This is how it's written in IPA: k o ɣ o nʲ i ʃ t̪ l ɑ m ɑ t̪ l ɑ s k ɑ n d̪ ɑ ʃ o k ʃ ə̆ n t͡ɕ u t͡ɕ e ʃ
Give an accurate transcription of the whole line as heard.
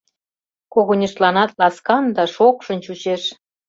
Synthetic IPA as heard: k o ɣ o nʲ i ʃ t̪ l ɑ n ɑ t̪ l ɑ s k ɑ n d̪ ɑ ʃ o k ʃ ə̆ n t͡ɕ u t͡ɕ e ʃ